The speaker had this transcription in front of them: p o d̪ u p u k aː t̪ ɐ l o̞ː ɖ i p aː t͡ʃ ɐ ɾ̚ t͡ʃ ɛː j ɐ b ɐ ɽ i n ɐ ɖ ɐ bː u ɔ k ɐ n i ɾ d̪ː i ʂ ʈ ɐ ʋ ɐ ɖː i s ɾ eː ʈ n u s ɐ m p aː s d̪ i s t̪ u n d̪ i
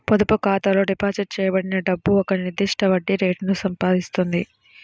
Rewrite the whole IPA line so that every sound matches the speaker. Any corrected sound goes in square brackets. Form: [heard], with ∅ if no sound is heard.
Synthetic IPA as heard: p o d̪ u p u k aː t̪ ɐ l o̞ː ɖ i p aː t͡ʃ ɐ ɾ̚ t͡ʃ ɛː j ɐ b ɐ ɽ i n ɐ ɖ ɐ bː u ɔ k ɐ n i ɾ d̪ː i ʂ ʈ ɐ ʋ ɐ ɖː i [∅] ɾ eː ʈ n u s ɐ m p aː [∅] d̪ i s t̪ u n d̪ i